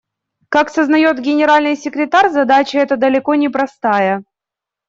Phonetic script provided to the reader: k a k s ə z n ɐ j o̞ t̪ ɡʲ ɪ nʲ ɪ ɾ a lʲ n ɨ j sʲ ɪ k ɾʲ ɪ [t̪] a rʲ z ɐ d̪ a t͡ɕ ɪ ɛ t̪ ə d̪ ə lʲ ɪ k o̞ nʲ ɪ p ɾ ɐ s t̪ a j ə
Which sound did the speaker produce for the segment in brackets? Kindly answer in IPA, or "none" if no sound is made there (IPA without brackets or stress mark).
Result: t̪